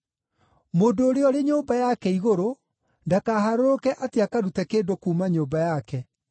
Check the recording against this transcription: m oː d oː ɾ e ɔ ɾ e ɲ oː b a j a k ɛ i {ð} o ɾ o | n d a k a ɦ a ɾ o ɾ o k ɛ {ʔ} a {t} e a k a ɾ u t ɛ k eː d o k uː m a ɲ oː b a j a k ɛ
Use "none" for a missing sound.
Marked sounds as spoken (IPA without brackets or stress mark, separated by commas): ɣ, ʔ, t